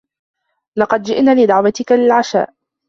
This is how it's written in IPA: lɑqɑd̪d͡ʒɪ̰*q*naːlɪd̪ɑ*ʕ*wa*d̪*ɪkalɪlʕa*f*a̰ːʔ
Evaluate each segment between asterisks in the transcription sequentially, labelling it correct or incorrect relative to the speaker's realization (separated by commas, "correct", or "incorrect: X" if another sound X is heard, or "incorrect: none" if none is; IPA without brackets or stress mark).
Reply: incorrect: ʔ, correct, incorrect: t̪, incorrect: ʃ